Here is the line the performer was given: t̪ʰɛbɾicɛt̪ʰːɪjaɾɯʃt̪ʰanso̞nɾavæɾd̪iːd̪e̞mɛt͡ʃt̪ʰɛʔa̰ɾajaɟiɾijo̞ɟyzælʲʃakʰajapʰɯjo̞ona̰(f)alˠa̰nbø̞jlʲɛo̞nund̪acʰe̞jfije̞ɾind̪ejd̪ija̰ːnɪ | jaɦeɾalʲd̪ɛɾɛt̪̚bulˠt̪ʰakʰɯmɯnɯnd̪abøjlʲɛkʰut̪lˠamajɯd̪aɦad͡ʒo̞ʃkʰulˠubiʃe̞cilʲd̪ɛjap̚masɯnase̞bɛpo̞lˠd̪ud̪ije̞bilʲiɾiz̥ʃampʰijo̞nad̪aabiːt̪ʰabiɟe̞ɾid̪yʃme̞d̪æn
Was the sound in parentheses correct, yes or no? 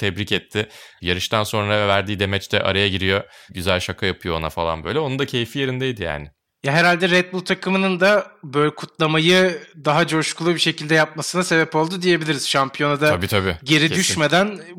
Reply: yes